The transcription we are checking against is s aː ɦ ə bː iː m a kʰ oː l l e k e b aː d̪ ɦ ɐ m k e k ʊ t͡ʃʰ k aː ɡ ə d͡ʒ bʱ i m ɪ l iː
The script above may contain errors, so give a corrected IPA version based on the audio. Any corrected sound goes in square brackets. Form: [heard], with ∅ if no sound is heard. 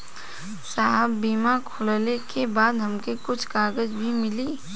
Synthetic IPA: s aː ɦ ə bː iː m a kʰ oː l l e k e b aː d̪ ɦ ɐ m k e k ʊ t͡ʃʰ k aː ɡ ə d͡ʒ bʱ i m ɪ l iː

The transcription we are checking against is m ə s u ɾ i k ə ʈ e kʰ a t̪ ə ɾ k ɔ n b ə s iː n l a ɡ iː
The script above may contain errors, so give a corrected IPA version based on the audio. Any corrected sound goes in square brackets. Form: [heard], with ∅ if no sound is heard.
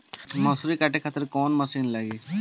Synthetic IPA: m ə s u ɾ i k [a] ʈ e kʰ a t̪ ə ɾ k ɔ n [m] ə s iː n l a ɡ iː

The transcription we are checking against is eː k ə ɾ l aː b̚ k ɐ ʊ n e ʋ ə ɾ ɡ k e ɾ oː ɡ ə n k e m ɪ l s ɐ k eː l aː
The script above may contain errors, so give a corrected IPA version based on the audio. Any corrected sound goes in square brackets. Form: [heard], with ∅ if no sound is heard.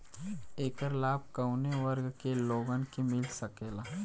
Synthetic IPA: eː k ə ɾ l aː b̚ k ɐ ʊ n e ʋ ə ɾ ɡ k e [l] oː ɡ ə n k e m ɪ l s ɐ k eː l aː

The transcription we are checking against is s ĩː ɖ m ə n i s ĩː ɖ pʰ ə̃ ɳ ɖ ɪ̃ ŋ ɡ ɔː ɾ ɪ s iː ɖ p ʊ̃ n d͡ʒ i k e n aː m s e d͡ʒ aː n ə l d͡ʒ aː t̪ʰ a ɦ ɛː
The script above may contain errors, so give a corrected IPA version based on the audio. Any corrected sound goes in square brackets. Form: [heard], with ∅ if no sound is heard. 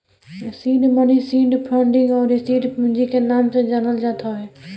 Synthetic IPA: s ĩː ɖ m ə n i s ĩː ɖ pʰ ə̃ ɳ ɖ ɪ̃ ŋ ɡ ɔː ɾ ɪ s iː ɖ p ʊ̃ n d͡ʒ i k e n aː m s e d͡ʒ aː n ə l d͡ʒ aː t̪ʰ a ɦ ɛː

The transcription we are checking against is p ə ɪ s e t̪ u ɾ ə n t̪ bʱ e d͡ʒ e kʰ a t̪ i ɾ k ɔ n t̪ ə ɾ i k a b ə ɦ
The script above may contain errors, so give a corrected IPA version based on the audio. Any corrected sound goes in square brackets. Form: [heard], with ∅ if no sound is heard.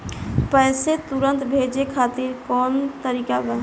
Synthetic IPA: p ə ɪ s e t̪ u ɾ ə n t̪ bʱ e d͡ʒ e kʰ a t̪ i ɾ k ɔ n t̪ ə ɾ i k a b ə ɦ

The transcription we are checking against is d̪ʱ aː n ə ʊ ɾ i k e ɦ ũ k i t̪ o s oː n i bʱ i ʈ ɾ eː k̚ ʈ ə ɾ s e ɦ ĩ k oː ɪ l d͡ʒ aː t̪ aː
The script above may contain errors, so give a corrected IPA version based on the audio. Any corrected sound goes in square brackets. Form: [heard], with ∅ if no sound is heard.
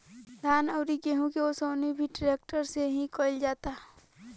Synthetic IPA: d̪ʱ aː n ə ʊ ɾ i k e ɦ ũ k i [∅] o s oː n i bʱ i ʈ ɾ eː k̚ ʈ ə ɾ s e ɦ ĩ k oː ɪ l d͡ʒ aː t̪ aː

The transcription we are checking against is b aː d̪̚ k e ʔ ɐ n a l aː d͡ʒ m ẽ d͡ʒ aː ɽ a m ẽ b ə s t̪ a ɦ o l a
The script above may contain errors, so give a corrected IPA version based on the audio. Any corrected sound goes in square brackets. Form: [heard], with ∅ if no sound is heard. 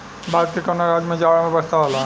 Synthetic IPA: b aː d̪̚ k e [k] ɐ n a [ɾ] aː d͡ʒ m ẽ d͡ʒ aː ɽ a m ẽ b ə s t̪ a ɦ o l a

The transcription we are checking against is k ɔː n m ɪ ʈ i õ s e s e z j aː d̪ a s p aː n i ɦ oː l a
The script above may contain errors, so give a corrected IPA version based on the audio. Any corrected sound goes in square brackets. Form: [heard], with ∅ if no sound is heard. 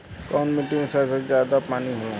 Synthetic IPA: k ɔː n m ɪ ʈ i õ s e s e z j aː d̪ a [∅] p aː n i ɦ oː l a

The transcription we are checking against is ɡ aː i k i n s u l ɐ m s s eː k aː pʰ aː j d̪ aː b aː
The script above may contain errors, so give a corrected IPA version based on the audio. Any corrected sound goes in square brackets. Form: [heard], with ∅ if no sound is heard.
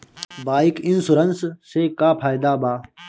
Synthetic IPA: [b] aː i k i n s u [ɾ] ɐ [n] s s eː k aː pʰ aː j d̪ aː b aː

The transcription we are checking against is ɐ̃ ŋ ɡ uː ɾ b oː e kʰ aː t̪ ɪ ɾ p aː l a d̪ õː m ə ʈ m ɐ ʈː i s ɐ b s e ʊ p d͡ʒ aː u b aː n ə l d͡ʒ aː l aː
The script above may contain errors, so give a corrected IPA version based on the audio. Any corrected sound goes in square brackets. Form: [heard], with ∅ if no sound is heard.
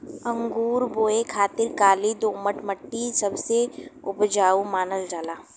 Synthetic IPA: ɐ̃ ŋ ɡ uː ɾ b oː e kʰ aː t̪ ɪ ɾ [k] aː l [i] d̪ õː m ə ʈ m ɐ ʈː i s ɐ b s e ʊ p d͡ʒ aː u [m] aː n ə l d͡ʒ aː l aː

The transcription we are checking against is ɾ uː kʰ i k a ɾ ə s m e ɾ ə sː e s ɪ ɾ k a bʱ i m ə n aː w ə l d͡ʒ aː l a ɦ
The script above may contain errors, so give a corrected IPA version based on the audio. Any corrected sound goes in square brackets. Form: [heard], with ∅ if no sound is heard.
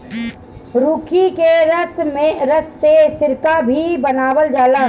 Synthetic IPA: ɾ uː kʰ i k [e] ɾ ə s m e ɾ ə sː e s ɪ ɾ k a bʱ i [b] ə n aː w ə l d͡ʒ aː l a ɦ

